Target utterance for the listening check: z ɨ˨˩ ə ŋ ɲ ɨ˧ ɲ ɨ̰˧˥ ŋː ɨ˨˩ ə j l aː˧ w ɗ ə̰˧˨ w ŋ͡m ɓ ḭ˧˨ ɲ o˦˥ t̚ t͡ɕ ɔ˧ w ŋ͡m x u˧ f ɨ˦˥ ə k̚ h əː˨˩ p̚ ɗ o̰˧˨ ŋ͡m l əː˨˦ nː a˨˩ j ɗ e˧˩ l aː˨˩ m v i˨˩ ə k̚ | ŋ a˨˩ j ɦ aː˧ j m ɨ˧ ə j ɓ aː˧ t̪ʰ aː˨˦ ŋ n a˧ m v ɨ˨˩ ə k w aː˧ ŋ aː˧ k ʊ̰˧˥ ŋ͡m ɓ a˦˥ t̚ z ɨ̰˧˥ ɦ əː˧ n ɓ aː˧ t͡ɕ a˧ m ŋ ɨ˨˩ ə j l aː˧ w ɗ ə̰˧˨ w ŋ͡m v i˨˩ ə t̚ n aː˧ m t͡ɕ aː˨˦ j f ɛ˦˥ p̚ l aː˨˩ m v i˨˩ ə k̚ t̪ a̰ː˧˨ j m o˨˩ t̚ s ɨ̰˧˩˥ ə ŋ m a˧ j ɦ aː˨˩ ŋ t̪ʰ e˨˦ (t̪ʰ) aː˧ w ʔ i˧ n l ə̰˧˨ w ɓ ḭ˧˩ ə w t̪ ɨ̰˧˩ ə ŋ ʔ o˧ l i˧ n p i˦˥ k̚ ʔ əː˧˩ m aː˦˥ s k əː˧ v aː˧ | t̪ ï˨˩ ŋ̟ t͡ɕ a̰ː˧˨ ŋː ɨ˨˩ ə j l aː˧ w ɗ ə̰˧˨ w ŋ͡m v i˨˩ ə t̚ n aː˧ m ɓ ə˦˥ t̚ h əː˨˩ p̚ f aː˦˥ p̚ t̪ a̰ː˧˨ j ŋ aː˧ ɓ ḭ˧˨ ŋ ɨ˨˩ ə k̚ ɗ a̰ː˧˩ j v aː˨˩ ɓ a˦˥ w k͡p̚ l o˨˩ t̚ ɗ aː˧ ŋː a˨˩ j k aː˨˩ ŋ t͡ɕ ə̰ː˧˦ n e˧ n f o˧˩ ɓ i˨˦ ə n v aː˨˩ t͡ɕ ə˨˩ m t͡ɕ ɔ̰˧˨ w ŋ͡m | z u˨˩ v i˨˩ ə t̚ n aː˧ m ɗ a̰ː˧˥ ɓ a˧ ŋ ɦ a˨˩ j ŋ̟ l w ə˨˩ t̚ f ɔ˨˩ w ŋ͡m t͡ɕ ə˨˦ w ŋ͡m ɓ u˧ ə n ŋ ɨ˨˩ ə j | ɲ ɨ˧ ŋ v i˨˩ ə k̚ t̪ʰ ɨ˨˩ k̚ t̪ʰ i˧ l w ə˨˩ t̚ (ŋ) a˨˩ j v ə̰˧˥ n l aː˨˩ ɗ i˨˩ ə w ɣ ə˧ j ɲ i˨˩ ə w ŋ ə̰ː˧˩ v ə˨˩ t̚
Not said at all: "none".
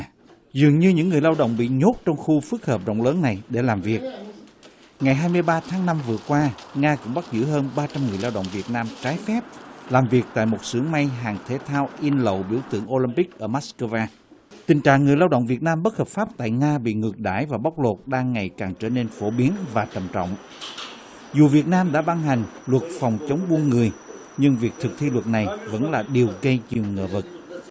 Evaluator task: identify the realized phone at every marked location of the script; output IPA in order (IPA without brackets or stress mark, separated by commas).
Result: t̪ʰ, n